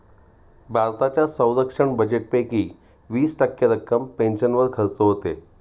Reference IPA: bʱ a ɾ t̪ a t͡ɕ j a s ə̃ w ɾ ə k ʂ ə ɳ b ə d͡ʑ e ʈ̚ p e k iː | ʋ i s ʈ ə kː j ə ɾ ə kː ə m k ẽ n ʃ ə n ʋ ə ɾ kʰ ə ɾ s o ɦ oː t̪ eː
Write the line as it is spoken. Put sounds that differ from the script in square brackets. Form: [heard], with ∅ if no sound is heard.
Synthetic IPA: bʱ a ɾ t̪ a t͡ɕ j a s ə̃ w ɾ ə k ʂ ə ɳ b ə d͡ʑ e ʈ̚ p e k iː | ʋ [iː] s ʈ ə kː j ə ɾ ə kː ə m [p] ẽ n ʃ ə n ʋ ə ɾ kʰ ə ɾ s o ɦ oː t̪ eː